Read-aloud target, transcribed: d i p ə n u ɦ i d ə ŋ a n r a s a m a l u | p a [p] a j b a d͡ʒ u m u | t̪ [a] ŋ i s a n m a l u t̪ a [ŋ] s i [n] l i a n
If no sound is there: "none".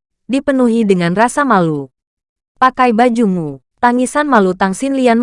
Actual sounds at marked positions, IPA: k, a, ŋ, n

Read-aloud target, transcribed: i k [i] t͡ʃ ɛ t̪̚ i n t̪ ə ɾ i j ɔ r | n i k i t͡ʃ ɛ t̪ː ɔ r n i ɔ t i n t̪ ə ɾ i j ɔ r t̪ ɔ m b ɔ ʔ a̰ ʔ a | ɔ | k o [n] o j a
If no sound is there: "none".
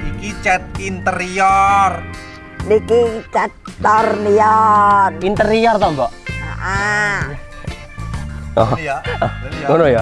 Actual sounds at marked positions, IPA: i, n

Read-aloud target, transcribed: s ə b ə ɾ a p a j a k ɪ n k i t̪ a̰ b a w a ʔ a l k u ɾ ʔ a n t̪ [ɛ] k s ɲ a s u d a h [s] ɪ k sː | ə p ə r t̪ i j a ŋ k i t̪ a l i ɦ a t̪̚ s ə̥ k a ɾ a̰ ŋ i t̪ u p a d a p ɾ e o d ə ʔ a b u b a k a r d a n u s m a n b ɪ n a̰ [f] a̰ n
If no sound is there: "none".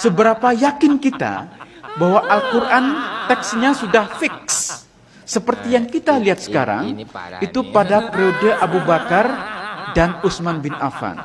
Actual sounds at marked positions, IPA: ɛ, f, f

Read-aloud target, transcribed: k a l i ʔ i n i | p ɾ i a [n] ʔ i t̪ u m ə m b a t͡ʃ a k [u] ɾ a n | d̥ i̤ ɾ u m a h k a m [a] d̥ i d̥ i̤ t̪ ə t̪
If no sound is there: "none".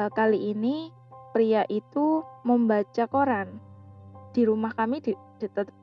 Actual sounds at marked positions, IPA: none, o, i

